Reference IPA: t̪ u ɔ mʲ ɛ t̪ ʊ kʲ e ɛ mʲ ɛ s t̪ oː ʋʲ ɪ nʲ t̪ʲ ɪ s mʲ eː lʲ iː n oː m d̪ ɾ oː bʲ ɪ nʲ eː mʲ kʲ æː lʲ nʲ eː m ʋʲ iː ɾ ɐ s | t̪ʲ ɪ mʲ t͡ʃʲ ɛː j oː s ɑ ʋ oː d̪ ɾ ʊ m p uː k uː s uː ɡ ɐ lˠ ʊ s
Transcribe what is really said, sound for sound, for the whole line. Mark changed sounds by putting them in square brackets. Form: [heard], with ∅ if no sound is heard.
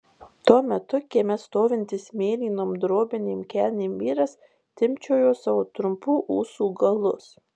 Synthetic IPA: t̪ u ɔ mʲ ɛ t̪ ʊ kʲ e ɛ mʲ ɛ s t̪ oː ʋʲ ɪ nʲ t̪ʲ ɪ s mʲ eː lʲ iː n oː m d̪ ɾ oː bʲ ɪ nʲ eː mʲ kʲ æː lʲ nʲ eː m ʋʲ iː ɾ ɐ s | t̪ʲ ɪ mʲ t͡ʃʲ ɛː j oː s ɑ ʋ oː [t̪] ɾ ʊ m p uː [ʔ] uː s uː ɡ ɐ lˠ ʊ s